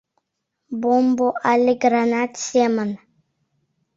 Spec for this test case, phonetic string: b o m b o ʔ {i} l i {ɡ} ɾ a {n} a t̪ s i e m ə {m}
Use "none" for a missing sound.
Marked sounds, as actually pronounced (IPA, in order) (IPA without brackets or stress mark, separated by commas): a, ɡ, n, n